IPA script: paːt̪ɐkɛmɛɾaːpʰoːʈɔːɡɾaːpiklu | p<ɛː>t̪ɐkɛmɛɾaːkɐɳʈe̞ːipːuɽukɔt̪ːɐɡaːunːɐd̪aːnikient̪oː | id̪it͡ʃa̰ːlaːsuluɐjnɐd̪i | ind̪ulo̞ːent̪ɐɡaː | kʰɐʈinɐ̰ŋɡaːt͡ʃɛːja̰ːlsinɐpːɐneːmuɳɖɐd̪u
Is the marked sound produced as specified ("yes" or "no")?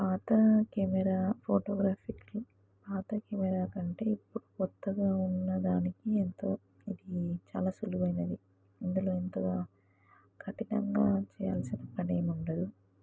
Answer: no